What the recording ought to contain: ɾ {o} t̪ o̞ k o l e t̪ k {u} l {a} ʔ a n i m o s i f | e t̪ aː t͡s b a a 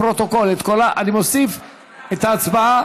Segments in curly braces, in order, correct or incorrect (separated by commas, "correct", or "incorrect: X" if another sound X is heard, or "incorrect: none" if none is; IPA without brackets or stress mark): correct, incorrect: o, correct